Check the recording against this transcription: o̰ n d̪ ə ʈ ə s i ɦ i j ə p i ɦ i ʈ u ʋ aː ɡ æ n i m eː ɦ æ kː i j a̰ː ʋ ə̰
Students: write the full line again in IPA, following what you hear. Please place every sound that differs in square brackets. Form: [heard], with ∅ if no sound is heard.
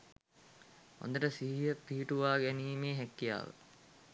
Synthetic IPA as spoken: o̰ n d̪ ə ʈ ə s i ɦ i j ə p i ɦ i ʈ u ʋ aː ɡ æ n [iː] m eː ɦ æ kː i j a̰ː ʋ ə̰

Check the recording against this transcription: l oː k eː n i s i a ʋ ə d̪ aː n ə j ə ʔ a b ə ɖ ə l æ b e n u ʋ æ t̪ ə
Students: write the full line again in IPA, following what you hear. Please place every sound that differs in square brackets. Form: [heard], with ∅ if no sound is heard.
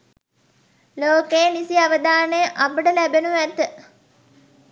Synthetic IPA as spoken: l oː k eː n i s i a ʋ ə d̪ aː n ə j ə ʔ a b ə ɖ ə l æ b e n u ʋ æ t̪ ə

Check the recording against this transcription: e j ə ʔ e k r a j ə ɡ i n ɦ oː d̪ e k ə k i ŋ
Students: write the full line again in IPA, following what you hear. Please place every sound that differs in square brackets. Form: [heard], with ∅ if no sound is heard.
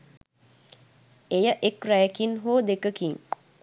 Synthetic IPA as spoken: e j ə ʔ e k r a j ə [k] i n ɦ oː d̪ e k ə k i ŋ

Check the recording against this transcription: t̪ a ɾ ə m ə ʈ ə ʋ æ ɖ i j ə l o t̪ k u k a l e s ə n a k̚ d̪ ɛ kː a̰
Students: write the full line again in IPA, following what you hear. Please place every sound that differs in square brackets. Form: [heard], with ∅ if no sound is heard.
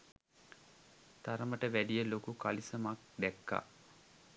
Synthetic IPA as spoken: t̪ a ɾ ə m ə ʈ ə ʋ æ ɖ i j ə l o [∅] k u k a l [i] s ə [m] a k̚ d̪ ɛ kː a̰

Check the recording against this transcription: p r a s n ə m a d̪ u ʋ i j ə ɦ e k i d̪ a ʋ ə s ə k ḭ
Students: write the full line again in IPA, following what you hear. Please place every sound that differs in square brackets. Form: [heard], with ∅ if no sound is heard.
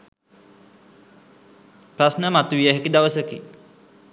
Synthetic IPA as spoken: p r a s n ə m a [t̪] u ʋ i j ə ɦ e k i d̪ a ʋ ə s ə k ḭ

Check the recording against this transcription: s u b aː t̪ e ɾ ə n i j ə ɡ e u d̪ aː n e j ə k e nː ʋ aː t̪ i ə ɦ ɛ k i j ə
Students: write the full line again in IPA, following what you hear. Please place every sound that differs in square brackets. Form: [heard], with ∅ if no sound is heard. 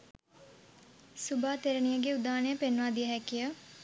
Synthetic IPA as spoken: s u b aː t̪ e ɾ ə n i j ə ɡ e u d̪ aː n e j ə [p] e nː ʋ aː [d̪] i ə ɦ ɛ k i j ə

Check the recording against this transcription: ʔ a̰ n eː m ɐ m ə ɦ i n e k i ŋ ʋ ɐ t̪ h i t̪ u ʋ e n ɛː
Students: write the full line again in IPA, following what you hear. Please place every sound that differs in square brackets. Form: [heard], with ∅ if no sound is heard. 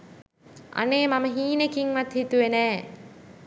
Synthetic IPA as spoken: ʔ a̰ n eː m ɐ m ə ɦ [iː] n e k i ŋ ʋ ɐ t̪ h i t̪ u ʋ e n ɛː

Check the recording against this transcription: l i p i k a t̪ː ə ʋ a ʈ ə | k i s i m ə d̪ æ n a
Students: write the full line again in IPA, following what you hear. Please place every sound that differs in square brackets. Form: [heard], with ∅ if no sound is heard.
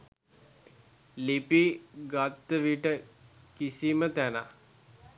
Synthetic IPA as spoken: l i p i [ɡ] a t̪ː ə ʋ [i] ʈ ə | k i s i m ə [t̪] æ n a

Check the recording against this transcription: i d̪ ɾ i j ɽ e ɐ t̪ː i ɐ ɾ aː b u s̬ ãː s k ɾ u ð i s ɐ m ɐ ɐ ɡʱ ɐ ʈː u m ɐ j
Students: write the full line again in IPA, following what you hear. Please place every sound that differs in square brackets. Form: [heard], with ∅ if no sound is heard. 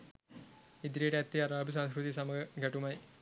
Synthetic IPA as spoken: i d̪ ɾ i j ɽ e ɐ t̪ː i ɐ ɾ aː b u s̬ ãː s k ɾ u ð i s ɐ m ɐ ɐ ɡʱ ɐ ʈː u m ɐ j

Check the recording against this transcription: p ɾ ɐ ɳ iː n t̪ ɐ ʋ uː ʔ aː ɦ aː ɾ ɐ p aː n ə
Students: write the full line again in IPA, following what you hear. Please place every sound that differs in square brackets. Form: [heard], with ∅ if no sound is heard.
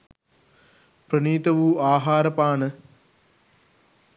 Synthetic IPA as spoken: p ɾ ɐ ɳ iː [∅] t̪ ɐ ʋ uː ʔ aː ɦ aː ɾ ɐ p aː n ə

